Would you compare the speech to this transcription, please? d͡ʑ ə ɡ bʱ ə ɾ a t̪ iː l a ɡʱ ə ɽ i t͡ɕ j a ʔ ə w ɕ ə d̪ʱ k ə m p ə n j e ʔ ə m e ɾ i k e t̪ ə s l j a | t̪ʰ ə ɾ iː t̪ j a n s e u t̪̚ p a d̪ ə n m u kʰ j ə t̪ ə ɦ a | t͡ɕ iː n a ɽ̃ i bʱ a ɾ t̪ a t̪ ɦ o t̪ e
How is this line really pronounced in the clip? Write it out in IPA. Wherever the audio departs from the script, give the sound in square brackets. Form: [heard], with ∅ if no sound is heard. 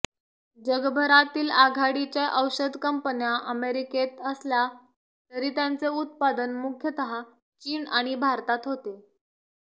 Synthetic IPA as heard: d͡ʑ ə ɡ bʱ ə ɾ a t̪ iː l a ɡʱ [a] ɽ i t͡ɕ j a ʔ ə w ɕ ə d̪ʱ k ə m p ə n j [a] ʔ ə m e ɾ i k e t̪ ə s l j a | [t̪] ə ɾ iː t̪ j a n [t͡s] e u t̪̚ p a d̪ ə n m u kʰ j ə t̪ ə ɦ a | t͡ɕ iː n a ɽ̃ i bʱ a ɾ t̪ a t̪ ɦ o t̪ e